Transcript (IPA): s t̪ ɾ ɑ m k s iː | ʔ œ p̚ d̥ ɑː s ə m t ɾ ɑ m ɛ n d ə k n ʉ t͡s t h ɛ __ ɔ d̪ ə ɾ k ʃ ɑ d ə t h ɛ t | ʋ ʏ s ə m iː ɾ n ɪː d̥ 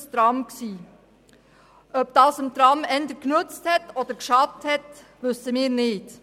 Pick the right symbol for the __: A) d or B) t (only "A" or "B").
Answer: B